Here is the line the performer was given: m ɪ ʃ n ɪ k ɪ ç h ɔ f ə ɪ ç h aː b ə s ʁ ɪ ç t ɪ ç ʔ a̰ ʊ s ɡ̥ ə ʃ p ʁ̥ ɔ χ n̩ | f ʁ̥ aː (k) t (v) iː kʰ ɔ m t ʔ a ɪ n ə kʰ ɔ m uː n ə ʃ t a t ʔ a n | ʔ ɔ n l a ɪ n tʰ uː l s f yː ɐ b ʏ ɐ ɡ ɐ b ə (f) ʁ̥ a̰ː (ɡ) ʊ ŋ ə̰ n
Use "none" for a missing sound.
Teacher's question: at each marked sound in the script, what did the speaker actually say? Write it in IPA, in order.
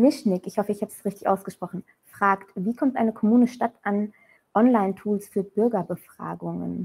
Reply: k, v, f, ɡ

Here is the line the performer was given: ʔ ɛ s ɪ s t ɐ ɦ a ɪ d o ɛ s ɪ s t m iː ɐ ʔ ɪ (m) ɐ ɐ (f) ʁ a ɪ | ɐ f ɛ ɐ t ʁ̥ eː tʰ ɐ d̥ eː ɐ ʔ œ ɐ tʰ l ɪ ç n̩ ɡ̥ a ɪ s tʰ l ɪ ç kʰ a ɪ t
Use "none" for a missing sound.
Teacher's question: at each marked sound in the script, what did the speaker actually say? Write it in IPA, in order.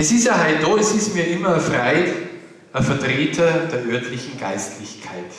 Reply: m, f

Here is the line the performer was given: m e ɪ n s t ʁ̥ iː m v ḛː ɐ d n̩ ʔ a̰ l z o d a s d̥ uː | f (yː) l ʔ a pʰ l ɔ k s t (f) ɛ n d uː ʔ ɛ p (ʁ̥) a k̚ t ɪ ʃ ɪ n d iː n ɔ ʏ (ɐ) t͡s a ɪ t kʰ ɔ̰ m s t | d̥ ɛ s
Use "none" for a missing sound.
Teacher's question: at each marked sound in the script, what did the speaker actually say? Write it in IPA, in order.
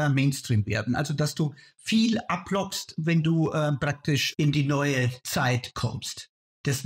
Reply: iː, v, ʁ̥, ə

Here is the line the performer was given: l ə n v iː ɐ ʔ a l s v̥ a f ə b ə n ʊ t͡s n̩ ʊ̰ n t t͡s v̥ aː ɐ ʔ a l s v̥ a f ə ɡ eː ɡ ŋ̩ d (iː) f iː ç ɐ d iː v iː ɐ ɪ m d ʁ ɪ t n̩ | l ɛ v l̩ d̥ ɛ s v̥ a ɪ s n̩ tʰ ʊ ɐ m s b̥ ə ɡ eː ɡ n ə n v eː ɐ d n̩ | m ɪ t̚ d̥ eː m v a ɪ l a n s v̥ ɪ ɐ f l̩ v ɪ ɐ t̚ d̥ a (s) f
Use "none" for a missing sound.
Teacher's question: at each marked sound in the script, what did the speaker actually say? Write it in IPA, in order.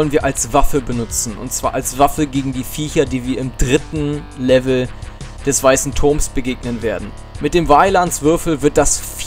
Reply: iː, s

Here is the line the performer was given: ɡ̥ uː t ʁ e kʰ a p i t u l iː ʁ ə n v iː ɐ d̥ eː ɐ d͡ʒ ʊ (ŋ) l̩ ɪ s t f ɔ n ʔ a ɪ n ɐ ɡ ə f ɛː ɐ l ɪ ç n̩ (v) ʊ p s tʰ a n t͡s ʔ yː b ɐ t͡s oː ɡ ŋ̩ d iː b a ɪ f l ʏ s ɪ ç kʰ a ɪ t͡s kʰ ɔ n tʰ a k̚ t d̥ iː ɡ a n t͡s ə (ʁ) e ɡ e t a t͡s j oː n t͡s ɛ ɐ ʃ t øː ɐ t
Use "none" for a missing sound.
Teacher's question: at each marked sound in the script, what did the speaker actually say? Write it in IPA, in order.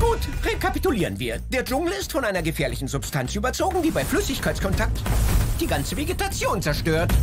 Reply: ŋ, z, v

